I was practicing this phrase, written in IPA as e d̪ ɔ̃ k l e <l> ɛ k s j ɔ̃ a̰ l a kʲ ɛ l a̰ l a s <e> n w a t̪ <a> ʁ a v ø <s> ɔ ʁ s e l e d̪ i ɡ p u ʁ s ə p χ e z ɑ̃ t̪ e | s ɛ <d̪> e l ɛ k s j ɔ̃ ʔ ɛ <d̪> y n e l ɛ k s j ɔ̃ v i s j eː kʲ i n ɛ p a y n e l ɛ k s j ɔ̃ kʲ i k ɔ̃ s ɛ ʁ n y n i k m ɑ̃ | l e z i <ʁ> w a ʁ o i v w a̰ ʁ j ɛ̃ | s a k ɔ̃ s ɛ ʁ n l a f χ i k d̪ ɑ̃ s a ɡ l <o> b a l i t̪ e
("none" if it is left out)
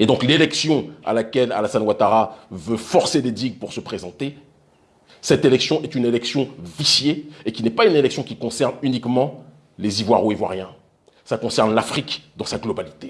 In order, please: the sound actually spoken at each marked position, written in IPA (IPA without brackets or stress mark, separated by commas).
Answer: l, a, a, f, t̪, t̪, v, ɔ